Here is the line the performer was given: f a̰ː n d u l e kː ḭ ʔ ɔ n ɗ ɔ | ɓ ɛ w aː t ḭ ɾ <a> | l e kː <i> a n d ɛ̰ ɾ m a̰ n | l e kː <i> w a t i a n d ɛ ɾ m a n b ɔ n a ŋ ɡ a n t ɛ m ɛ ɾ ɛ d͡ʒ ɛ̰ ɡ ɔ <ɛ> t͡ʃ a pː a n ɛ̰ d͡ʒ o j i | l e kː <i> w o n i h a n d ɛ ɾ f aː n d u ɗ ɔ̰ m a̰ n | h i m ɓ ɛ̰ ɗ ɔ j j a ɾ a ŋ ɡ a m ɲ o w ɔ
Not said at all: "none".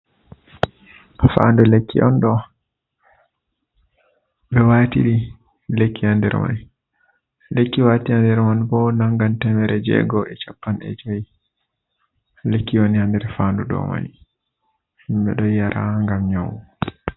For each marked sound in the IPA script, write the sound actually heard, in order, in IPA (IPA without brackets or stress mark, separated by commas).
i, i, i, ɛ, i